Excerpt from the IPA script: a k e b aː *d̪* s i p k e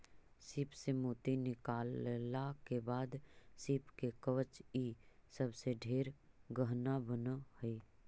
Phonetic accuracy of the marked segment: correct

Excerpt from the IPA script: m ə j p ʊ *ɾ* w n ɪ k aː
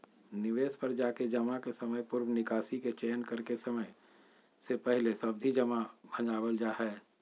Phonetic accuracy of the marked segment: correct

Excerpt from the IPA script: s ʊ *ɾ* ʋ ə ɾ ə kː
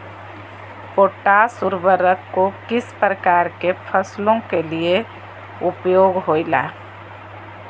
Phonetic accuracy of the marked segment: correct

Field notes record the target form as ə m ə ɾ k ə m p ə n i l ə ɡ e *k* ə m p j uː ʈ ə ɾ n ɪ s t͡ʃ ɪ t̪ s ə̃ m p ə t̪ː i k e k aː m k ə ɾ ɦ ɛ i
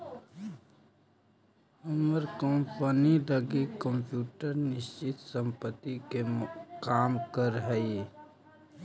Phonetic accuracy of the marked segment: correct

